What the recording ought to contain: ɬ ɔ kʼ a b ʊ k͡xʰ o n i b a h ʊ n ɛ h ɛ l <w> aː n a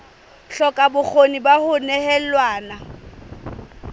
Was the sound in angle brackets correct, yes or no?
yes